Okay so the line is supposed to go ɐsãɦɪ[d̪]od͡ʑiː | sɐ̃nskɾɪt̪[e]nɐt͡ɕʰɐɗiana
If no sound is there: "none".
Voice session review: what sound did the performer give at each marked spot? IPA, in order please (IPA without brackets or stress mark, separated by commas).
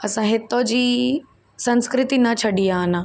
t̪, i